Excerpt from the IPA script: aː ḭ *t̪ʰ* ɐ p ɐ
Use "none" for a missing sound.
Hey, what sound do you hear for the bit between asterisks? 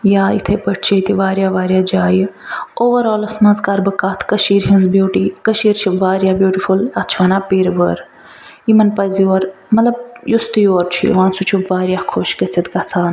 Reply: t̪ʰ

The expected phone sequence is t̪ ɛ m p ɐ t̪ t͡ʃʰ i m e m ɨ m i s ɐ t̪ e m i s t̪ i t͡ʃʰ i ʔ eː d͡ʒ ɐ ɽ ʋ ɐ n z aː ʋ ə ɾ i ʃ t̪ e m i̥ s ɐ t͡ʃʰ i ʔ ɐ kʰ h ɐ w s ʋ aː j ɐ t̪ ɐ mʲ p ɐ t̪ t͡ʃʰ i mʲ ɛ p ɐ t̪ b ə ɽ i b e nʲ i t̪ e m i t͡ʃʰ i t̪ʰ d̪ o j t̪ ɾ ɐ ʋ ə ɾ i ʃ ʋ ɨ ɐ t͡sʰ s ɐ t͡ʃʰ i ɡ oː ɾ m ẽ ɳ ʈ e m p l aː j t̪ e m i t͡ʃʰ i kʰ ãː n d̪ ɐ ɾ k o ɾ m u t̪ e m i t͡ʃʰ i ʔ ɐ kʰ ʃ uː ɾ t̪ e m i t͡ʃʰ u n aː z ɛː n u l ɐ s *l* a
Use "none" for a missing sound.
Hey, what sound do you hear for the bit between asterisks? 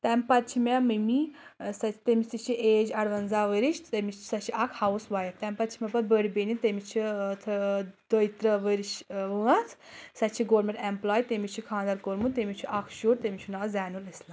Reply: l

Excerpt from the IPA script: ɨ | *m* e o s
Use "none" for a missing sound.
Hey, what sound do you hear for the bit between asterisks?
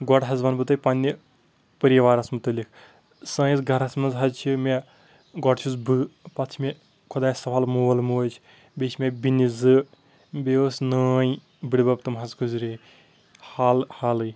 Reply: b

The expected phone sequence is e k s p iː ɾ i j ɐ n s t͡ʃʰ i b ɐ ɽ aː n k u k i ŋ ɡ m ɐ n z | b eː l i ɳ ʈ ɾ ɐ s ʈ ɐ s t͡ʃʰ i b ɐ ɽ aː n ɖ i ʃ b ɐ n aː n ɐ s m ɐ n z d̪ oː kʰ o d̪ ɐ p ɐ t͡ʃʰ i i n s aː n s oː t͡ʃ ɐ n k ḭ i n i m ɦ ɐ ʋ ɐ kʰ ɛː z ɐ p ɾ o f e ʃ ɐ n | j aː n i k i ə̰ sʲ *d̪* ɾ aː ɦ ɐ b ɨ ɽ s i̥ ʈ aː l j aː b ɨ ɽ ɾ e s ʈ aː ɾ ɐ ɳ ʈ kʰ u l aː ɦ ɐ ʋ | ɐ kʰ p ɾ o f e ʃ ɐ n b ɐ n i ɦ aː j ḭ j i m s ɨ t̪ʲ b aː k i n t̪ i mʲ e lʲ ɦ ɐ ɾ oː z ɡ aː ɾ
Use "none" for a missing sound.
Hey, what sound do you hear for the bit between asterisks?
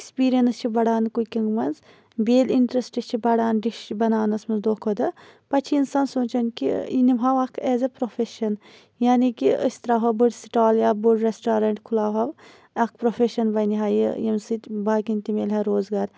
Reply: t̪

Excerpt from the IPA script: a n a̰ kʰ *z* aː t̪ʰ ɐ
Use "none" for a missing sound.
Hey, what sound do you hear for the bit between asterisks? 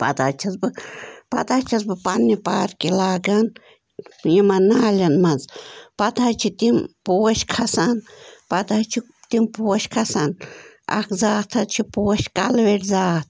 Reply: z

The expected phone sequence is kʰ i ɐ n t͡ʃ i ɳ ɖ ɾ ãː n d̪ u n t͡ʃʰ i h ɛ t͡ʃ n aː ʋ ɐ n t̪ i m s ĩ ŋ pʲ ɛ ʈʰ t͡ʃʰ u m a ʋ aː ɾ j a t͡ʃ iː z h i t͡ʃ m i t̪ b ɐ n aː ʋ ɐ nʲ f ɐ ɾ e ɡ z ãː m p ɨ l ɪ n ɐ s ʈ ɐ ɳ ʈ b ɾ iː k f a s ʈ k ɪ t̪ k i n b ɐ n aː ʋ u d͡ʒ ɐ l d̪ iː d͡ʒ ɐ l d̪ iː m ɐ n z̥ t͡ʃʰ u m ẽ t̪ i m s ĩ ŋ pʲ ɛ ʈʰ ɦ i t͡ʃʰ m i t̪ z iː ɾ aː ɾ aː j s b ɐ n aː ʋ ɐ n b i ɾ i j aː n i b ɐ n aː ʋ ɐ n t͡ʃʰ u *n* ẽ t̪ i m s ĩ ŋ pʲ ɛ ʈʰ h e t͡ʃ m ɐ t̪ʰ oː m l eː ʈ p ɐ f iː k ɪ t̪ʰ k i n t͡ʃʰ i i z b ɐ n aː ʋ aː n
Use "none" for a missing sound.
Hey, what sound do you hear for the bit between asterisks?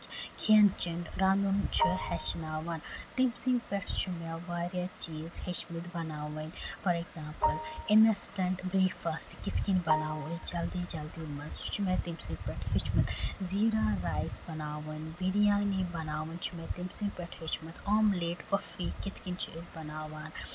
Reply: m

